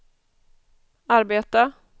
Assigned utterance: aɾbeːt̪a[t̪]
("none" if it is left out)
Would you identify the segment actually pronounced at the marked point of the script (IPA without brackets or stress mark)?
none